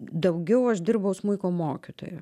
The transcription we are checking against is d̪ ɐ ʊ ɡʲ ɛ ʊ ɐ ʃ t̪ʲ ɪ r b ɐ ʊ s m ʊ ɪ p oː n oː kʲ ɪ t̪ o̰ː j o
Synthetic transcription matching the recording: d̪ ɐ ʊ ɡʲ ɛ ʊ ɐ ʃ d̪ʲ ɪ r b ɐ ʊ s m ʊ ɪ k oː m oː kʲ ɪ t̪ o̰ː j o